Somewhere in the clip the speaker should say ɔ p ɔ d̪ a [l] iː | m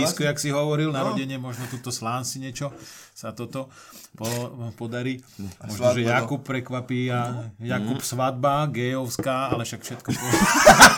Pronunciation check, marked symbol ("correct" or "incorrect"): incorrect